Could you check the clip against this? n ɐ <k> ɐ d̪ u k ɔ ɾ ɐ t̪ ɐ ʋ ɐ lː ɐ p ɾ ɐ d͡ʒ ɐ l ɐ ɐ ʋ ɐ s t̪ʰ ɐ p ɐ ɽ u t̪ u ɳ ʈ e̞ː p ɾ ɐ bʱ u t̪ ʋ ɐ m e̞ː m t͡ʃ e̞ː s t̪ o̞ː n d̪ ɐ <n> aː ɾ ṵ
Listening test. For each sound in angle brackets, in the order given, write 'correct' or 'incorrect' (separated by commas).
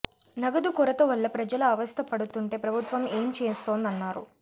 incorrect, incorrect